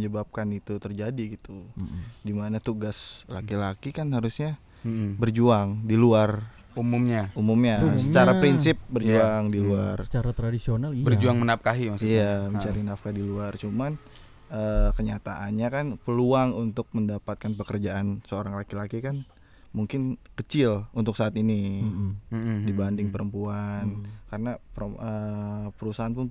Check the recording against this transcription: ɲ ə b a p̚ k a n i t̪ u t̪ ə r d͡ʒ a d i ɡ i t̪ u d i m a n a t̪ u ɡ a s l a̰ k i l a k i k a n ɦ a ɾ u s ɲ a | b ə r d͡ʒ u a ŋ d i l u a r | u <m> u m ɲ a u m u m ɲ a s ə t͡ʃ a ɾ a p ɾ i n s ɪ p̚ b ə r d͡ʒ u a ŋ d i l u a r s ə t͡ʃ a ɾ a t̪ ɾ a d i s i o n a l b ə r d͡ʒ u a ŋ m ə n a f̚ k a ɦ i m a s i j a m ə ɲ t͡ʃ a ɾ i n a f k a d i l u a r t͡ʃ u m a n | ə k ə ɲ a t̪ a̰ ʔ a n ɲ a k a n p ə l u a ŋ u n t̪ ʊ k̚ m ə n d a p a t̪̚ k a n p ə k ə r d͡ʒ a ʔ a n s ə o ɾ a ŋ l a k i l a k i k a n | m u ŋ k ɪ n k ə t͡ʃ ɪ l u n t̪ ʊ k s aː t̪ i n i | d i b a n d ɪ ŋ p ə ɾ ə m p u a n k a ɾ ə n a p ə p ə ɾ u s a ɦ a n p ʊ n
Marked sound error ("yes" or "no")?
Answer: no